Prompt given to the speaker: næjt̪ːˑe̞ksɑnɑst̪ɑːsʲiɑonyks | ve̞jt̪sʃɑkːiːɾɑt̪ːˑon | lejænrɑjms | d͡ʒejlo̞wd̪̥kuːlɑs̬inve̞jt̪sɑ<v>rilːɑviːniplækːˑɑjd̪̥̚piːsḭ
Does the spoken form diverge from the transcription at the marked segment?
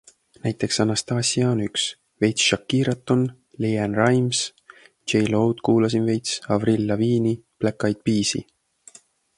no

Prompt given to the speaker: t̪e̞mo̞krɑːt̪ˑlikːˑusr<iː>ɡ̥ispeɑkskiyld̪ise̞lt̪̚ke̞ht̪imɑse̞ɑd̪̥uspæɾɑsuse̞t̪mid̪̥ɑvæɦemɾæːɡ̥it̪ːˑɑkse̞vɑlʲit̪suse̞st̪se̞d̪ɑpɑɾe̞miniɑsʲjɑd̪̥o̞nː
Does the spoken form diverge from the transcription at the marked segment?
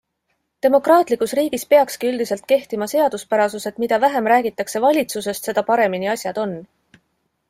no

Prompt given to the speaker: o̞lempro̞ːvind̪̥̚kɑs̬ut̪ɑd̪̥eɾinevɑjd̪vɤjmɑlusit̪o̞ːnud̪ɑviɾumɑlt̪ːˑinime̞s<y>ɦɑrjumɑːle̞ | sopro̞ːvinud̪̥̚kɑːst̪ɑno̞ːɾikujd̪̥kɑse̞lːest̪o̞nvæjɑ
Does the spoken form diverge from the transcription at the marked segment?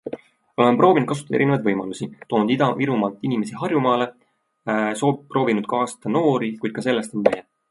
yes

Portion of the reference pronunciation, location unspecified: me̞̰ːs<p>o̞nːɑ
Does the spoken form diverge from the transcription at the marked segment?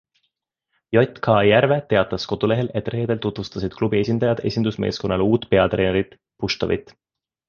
yes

